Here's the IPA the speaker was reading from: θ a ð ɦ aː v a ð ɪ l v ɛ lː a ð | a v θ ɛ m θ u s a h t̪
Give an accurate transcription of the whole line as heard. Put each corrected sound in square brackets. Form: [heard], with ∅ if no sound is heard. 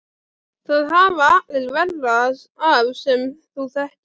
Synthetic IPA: θ a ð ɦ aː v a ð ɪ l v ɛ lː a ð | a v [s] ɛ m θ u [θ] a h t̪